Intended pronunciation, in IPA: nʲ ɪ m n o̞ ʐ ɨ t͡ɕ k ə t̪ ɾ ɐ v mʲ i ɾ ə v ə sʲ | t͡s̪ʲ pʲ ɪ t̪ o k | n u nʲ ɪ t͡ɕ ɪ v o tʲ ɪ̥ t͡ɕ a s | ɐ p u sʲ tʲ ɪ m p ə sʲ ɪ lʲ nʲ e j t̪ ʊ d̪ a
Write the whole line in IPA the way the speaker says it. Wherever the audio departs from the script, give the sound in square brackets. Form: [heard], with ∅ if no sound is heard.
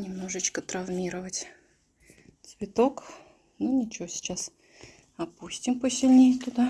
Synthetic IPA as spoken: nʲ ɪ m n o̞ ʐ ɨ t͡ɕ k ə t̪ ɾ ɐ v mʲ i ɾ ə v ə [tʲ] | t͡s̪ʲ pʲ ɪ t̪ o k | n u nʲ ɪ t͡ɕ ɪ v o [sʲ] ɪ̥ t͡ɕ a s | ɐ p u sʲ tʲ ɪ m p ə sʲ ɪ lʲ nʲ e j t̪ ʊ d̪ a